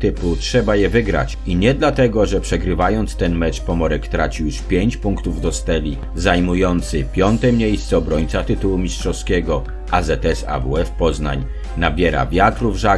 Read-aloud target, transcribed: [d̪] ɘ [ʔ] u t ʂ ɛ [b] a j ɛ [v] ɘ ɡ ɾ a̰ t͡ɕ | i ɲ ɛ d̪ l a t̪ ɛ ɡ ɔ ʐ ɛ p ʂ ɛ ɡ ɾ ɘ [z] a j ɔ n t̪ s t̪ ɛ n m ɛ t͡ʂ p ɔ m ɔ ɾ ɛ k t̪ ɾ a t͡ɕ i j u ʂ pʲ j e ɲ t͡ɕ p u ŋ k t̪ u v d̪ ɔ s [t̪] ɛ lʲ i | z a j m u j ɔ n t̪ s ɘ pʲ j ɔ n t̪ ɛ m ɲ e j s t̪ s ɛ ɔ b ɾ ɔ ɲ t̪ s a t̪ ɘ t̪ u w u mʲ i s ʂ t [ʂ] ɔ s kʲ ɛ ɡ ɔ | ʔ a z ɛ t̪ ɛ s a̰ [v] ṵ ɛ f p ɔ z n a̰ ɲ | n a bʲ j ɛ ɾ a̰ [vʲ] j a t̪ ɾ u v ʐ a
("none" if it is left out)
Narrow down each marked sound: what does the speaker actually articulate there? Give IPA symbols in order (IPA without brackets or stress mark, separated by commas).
t̪, p, b, v, v, t̪, ʂ, v, vʲ